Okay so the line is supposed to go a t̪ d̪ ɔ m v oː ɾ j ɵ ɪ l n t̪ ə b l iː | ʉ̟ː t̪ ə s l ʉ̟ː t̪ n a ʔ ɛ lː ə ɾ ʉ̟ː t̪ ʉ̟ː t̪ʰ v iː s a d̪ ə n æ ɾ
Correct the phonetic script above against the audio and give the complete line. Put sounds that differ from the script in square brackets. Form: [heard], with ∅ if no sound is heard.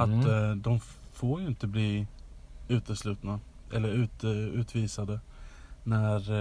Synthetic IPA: a t̪ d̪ ɔ m [f] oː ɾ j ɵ ɪ [∅] n t̪ ə b l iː | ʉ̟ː t̪ ə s l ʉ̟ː t̪ n a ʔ ɛ lː ə ɾ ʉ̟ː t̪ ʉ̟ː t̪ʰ v iː s a d̪ ə n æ ɾ